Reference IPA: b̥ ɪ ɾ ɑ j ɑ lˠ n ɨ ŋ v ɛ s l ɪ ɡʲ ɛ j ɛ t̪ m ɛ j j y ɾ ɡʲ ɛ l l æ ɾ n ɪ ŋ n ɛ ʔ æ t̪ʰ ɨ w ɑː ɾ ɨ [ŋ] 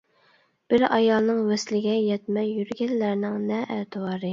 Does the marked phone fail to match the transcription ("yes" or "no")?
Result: yes